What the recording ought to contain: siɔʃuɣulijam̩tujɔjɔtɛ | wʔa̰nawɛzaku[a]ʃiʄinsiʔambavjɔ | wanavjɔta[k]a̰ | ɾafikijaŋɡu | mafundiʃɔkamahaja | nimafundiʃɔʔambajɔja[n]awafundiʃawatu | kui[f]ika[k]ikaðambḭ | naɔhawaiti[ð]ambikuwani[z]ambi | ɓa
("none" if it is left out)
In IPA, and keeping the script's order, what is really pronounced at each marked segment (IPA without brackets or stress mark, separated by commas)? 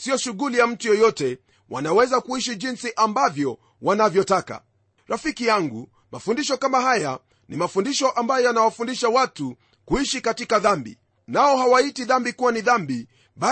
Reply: i, k, n, ʃ, t, ð, ð